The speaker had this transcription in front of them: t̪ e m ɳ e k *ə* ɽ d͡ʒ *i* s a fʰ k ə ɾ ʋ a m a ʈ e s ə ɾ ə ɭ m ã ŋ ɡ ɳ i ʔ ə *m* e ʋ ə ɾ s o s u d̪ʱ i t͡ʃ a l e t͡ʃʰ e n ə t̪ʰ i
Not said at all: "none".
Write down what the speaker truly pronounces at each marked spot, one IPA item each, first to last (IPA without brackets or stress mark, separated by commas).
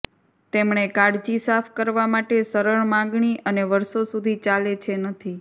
a, i, n